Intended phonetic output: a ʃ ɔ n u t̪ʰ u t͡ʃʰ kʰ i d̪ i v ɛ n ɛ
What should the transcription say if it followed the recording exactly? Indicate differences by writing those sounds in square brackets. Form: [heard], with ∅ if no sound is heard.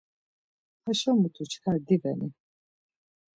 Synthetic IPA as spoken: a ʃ ɔ [m] u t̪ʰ u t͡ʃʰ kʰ [a] d̪ i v ɛ n [i]